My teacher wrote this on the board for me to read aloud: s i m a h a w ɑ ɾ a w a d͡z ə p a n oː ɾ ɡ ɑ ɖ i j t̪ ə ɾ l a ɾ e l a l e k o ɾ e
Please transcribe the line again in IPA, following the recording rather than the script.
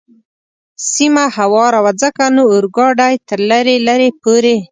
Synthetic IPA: s i m a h a w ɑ ɾ a w a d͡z ə k a n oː ɾ ɡ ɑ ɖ a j t̪ ə ɾ l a ɾ e l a ɾ e p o ɾ e